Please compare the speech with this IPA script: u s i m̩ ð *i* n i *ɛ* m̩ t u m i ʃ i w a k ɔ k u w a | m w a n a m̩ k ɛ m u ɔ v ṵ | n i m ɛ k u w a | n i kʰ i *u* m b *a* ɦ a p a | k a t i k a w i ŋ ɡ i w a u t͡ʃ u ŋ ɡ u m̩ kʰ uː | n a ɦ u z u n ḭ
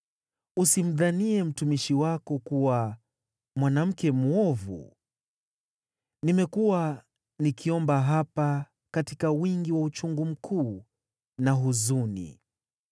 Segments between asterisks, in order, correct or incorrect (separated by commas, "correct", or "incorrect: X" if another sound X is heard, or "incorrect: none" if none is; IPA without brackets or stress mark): incorrect: a, correct, incorrect: ɔ, correct